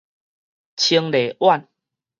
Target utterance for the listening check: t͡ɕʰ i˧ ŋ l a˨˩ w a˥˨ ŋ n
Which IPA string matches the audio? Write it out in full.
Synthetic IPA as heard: t͡ɕʰ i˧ ŋ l e˨˩ w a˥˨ n